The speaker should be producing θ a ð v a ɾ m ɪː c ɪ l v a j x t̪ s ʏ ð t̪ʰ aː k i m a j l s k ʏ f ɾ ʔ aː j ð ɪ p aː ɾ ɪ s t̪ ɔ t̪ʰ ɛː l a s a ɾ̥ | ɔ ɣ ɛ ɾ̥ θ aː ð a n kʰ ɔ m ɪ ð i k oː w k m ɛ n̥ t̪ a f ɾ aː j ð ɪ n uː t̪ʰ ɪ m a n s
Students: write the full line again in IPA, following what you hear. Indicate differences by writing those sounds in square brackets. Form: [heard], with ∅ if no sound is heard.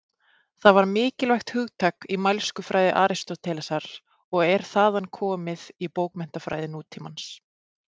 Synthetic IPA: θ a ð v a ɾ m ɪː c ɪ l v a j x t̪ [h] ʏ [ɣ] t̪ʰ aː k i m a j l s k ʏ f ɾ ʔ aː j ð ɪ [ʔ] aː ɾ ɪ s t̪ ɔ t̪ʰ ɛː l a s a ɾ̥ | ɔ ɣ ɛ ɾ̥ θ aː ð a n kʰ [ɔː] m ɪ ð i [p] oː w k m ɛ n̥ t̪ a f ɾ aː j ð ɪ n uː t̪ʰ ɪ m a n s